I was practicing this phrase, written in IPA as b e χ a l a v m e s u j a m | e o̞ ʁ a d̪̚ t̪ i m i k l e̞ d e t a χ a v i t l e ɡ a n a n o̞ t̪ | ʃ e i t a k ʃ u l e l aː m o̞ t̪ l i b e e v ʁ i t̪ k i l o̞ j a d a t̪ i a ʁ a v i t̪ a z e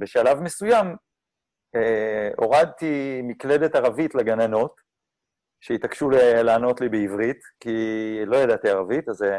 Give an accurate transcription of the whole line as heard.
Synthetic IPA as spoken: b e ʃ a l a v m e s u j a m | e o̞ ʁ a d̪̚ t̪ i m i k l e̞ d e t a ʁ a v i t l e ɡ a n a n o̞ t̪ | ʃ e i t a k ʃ u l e l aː n o̞ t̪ l i b e i v ʁ i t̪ k i l o̞ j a d a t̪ i a ʁ a v i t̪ a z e